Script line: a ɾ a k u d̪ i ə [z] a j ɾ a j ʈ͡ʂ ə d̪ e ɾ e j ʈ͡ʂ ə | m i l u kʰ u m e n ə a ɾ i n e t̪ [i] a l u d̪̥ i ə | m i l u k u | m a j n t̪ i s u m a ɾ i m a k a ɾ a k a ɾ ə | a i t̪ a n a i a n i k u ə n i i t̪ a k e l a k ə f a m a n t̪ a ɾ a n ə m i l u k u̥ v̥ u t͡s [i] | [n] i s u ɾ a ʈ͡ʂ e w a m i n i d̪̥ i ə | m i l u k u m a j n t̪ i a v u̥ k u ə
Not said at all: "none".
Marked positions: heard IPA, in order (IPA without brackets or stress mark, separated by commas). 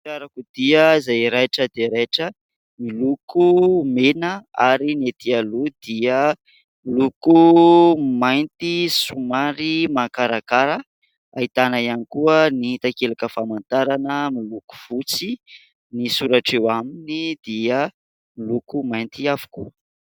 z, i, i, n